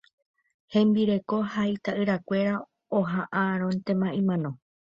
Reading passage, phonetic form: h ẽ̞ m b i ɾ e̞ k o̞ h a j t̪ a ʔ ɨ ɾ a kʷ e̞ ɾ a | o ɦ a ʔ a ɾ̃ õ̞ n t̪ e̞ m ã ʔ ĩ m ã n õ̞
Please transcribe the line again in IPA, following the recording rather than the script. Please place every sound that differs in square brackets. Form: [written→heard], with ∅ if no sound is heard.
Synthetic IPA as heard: h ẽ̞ m b i ɾ e̞ k o̞ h a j t̪ a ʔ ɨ ɾ a kʷ e̞ ɾ a | o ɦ a ʔ a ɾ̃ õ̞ n t̪ e̞ m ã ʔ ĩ m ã n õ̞